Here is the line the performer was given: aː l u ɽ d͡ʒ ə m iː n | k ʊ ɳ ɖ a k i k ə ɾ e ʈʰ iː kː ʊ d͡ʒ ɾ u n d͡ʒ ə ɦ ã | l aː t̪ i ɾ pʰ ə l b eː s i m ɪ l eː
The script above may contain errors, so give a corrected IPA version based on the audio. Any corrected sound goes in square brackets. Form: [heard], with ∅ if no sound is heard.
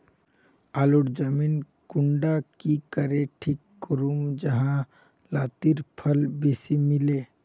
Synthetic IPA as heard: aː l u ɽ d͡ʒ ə m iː n | k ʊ ɳ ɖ a k i k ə ɾ e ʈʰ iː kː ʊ [∅] ɾ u [m] d͡ʒ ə ɦ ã | l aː t̪ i ɾ pʰ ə l b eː s i m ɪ l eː